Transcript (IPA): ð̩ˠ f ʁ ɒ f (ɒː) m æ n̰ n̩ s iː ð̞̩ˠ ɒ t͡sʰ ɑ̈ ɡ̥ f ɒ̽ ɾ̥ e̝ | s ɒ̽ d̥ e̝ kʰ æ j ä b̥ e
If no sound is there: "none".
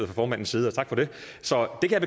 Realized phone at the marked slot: ɒː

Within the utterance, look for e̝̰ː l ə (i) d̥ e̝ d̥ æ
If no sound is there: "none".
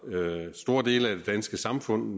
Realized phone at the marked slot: æ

